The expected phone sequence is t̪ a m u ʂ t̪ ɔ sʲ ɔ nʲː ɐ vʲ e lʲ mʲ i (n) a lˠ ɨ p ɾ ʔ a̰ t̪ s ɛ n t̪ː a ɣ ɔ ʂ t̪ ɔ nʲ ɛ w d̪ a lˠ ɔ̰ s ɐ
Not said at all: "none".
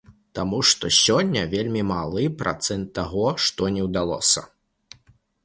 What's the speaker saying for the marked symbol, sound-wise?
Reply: m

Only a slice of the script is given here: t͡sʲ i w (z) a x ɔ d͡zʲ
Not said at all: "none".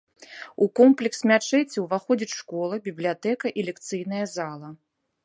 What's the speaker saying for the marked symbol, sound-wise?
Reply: v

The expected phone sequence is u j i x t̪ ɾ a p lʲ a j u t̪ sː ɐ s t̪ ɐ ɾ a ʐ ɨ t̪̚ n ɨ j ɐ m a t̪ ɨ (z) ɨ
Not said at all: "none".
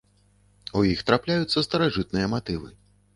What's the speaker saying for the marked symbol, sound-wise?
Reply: v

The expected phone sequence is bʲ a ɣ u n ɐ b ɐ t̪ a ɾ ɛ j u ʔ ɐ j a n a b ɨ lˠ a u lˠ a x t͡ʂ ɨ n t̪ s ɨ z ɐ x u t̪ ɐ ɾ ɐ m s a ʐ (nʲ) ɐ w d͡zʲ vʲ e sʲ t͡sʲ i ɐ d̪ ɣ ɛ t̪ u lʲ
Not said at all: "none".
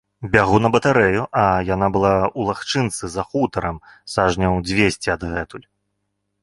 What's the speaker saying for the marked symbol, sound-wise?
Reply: nʲ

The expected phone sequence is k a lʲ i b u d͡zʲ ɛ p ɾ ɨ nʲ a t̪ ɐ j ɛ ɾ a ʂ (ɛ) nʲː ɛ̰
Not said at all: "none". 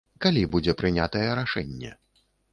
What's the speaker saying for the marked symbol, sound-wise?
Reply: ɛ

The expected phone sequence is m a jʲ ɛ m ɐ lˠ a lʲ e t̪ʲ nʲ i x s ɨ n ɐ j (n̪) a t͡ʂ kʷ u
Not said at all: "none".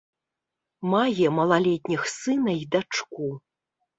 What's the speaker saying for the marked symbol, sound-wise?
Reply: d̪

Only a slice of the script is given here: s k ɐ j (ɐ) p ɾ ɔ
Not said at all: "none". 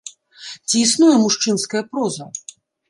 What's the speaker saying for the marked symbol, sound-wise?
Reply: ɐ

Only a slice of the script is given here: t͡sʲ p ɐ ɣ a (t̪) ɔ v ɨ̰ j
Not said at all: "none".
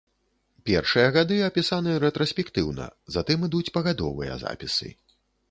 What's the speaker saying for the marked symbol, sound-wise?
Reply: d̪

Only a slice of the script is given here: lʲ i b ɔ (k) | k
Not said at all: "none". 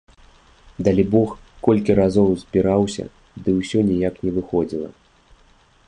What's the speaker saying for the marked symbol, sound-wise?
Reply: x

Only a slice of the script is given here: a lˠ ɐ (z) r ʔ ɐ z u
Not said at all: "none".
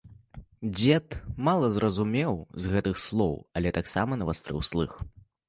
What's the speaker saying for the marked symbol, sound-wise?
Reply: z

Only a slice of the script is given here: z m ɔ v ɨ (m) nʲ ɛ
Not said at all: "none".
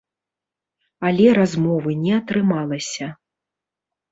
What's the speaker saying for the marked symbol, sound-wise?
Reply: none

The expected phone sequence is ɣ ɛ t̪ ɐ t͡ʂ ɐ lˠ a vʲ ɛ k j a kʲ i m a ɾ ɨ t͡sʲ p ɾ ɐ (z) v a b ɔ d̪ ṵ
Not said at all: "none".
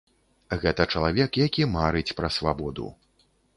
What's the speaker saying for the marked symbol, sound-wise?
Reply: s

